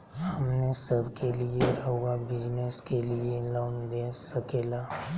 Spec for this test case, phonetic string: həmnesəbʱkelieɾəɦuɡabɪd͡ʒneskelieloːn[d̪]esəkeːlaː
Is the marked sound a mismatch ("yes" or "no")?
no